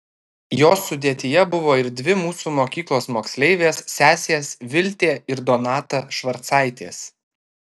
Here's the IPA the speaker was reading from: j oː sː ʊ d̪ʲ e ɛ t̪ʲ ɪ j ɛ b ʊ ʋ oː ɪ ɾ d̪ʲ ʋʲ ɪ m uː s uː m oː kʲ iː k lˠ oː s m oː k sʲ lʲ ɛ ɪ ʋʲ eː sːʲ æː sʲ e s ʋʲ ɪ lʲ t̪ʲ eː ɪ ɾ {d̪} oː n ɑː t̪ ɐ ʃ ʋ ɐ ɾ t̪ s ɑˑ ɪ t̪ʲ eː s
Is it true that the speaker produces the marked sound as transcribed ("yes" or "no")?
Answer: yes